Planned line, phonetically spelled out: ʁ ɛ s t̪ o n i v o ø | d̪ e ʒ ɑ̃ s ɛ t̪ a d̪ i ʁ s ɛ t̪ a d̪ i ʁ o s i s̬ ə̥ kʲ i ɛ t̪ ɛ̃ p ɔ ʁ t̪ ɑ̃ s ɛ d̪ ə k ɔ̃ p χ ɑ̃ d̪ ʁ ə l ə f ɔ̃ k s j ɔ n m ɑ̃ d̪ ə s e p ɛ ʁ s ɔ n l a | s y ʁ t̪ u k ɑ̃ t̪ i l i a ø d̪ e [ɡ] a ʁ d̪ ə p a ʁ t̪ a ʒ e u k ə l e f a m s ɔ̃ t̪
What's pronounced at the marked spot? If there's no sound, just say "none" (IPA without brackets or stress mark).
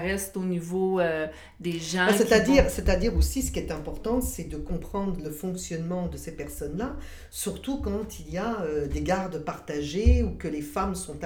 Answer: ɡ